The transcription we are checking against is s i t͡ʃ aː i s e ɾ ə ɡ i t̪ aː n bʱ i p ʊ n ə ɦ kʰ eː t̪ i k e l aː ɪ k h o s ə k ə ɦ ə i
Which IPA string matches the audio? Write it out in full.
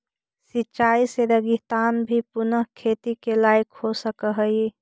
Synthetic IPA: s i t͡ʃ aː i s e ɾ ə ɡ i t̪ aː n bʱ i p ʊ n ə ɦ kʰ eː t̪ i k e l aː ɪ k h o s ə k ə ɦ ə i

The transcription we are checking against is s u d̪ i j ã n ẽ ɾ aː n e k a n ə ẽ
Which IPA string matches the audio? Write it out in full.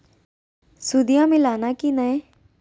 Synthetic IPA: s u d̪ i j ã m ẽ l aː n a k i n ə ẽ

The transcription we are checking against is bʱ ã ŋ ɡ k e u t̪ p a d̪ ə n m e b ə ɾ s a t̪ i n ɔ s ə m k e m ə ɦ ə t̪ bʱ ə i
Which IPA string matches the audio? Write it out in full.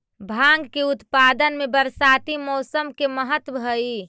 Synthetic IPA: bʱ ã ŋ ɡ k e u t̪ p a d̪ ə n m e b ə ɾ s a t̪ i m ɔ s ə m k e m ə ɦ ə t̪ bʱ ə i

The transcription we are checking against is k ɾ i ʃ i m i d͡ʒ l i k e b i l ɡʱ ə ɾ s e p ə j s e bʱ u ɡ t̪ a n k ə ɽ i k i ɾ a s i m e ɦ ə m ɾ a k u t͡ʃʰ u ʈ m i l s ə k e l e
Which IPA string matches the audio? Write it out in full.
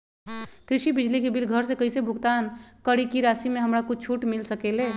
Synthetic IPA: k ɾ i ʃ i b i d͡ʒ l i k e b i l ɡʱ ə ɾ s e k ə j s e bʱ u ɡ t̪ a n k ə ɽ i k i ɾ a s i m e ɦ ə m ɾ a k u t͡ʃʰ u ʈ m i l s ə k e l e

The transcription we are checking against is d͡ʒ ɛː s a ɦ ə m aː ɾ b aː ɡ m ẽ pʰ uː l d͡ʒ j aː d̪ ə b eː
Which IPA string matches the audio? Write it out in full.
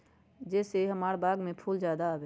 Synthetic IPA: d͡ʒ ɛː s e ɦ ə m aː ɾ b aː ɡ m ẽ pʰ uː l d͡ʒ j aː d̪ a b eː

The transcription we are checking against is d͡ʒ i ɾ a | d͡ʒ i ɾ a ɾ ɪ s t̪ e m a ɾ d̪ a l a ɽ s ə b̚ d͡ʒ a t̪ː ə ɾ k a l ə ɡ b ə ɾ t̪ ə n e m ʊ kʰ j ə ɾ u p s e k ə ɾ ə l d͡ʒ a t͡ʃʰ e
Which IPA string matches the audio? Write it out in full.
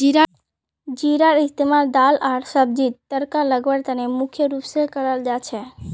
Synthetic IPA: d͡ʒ i ɾ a | d͡ʒ i ɾ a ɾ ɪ s t̪ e m a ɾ d̪ a l a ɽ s ə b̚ d͡ʒ i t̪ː ə ɾ k a l ə ɡ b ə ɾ t̪ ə n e m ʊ kʰ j ə ɾ u p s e k ə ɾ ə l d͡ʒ a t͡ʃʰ e

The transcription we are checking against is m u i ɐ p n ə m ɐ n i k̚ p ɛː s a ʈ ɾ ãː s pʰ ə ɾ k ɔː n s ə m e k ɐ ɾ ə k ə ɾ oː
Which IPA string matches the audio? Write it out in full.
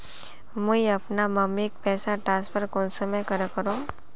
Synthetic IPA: m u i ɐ p n a m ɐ m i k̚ p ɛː s a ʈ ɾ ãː s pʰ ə ɾ k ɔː n s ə m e k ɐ ɾ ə k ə ɾ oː

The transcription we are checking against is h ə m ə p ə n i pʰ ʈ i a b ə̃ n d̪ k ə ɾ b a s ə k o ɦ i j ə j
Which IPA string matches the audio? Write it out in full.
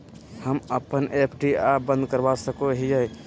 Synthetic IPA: h ə m ə p ə n e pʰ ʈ i a b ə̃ n d̪ k ə ɾ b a s ə k o ɦ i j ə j

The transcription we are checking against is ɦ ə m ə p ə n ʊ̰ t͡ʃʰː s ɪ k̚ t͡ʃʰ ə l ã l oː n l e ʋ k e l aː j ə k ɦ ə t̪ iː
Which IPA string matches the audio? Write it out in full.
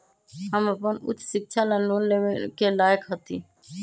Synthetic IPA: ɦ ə m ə p ə n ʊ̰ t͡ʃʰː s ɪ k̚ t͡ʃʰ a l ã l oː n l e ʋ k e l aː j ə k ɦ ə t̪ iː

